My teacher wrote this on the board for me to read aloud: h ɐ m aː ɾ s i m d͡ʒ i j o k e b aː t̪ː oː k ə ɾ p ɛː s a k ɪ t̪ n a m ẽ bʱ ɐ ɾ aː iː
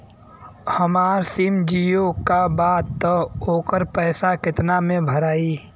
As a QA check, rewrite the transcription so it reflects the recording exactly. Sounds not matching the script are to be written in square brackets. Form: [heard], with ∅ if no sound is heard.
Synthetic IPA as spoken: h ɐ m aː ɾ s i m d͡ʒ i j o k [a] b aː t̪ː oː k ə ɾ p ɛː s a k ɪ t̪ n a m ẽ bʱ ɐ ɾ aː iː